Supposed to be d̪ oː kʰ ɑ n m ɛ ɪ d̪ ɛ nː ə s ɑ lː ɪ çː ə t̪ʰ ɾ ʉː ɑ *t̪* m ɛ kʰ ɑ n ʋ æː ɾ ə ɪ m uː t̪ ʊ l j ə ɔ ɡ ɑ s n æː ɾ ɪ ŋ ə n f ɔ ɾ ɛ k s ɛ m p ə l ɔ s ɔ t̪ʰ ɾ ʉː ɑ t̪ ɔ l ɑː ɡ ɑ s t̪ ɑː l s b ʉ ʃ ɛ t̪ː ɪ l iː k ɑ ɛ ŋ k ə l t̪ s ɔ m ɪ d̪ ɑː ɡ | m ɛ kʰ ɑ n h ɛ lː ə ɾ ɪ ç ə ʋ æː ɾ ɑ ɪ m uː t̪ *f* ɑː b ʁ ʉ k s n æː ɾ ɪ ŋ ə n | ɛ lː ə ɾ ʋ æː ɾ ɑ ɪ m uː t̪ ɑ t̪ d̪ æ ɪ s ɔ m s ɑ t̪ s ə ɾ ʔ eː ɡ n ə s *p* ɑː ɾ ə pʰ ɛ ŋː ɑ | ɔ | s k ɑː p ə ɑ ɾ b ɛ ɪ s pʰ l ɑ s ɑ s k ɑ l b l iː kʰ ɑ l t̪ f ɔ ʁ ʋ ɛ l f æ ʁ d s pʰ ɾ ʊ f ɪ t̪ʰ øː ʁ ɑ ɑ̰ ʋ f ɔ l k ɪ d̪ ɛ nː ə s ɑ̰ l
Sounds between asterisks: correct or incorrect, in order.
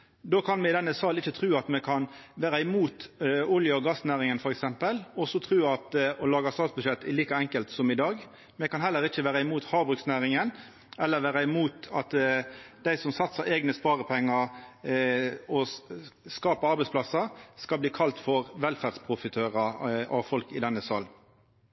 correct, incorrect: h, correct

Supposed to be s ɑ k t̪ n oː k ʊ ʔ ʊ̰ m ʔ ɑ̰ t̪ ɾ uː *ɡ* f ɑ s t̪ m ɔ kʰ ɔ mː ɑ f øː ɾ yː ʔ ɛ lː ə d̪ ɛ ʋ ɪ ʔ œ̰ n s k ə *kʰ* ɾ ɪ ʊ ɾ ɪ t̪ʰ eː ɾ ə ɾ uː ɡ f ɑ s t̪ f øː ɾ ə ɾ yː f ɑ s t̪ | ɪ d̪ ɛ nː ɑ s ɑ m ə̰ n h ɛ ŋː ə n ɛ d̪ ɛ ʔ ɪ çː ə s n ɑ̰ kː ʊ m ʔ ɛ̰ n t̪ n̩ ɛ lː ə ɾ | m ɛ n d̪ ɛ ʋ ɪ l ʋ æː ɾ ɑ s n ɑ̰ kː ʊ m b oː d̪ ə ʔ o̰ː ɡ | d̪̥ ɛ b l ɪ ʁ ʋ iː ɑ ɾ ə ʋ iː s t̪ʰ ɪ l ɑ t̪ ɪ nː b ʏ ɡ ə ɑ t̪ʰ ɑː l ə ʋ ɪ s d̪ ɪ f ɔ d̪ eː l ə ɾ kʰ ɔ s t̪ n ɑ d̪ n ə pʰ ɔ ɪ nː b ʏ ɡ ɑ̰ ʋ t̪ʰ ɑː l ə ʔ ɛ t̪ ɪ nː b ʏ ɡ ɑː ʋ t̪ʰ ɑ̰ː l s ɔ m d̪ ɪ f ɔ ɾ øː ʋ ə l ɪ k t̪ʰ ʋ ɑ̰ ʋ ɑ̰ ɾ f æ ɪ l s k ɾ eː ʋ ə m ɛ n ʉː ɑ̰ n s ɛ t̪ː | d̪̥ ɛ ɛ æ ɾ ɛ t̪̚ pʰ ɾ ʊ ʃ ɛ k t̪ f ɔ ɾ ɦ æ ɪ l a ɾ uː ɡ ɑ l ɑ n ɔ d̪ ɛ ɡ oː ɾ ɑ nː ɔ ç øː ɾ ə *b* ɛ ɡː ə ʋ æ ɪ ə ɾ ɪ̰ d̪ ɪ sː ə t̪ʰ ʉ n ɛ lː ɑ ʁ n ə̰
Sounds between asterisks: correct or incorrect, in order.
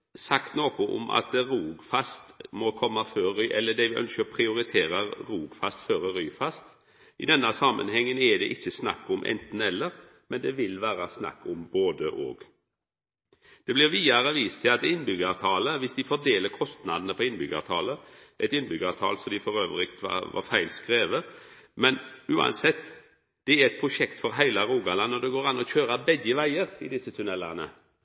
correct, incorrect: pʰ, correct

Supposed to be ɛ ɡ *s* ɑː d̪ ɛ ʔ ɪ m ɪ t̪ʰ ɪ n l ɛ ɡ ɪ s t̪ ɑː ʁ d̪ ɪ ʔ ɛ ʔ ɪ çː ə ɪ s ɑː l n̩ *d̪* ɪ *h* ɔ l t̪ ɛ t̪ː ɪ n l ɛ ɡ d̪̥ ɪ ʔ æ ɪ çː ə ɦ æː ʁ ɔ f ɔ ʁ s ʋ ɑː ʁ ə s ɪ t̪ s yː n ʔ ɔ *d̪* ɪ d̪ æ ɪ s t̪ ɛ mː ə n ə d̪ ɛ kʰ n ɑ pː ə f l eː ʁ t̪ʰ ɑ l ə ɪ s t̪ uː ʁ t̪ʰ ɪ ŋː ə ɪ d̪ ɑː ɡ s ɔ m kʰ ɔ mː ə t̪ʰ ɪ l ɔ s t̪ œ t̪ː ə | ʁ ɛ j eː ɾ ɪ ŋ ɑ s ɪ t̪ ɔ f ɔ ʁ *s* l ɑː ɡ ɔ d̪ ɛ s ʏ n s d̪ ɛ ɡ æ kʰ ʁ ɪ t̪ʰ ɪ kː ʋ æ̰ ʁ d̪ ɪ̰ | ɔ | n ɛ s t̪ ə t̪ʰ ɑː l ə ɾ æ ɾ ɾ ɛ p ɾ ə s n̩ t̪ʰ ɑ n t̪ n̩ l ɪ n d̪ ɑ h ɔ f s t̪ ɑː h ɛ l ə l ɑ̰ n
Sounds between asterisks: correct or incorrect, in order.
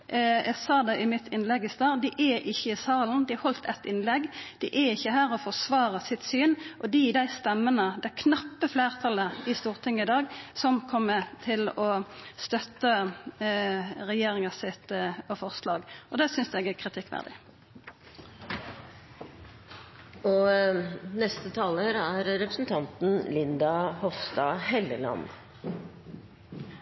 correct, correct, correct, correct, correct

